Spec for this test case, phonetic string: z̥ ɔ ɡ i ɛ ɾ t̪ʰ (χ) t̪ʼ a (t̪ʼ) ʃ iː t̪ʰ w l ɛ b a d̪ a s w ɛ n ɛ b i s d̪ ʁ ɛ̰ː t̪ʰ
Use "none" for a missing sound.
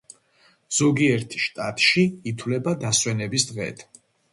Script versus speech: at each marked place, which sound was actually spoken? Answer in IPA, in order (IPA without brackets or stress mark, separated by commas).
ʃ, t̪ʼ